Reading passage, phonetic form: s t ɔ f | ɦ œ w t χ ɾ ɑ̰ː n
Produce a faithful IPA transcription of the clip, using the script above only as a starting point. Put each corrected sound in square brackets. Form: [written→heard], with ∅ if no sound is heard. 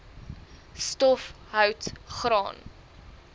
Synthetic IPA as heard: s t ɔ f | ɦ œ w t χ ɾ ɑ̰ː n